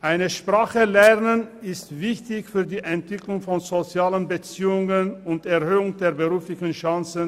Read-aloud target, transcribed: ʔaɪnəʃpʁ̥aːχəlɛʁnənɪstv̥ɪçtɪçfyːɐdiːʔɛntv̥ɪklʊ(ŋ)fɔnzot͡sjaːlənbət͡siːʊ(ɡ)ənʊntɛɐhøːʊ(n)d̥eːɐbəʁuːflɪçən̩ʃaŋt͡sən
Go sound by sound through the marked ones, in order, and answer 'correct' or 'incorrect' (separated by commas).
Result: correct, incorrect, incorrect